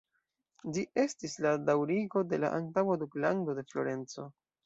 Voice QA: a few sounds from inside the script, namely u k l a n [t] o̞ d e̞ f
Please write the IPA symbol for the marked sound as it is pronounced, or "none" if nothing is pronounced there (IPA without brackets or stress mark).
d